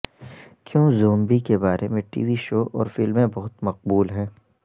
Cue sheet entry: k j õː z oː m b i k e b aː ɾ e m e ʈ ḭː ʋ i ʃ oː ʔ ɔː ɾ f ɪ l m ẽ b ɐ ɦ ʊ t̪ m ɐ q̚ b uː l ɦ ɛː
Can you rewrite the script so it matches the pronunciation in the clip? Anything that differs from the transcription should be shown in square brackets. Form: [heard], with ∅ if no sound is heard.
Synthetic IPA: k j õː z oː m b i k e b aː ɾ e m [ẽ] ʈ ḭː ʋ i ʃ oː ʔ ɔː ɾ f ɪ l m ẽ b ɐ ɦ ʊ t̪ m ɐ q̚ b uː l ɦ ɛː